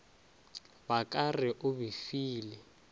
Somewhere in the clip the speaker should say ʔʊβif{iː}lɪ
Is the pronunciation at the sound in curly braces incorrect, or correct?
correct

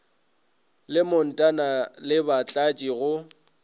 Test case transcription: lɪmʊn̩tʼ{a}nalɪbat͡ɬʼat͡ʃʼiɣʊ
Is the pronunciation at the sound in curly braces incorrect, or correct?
correct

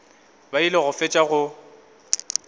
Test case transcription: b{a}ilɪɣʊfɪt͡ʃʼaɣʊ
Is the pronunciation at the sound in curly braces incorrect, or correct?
correct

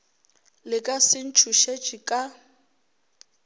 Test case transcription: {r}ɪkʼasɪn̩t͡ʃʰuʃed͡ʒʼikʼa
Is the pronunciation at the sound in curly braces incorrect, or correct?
incorrect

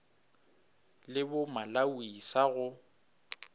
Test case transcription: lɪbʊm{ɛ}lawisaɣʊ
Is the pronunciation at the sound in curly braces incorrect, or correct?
incorrect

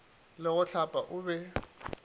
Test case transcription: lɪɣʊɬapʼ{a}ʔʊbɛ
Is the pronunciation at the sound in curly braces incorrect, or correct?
correct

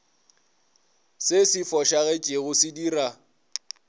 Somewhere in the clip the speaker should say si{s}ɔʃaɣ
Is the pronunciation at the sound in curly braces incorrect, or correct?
incorrect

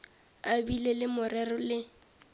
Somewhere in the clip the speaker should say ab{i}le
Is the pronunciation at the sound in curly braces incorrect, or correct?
correct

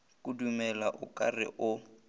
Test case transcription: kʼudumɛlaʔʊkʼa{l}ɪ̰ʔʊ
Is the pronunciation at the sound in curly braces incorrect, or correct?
incorrect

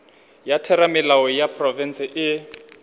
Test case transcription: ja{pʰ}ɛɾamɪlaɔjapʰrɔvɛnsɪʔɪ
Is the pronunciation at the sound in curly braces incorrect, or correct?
incorrect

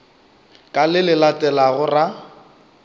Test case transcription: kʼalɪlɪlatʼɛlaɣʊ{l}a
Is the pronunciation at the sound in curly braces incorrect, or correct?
incorrect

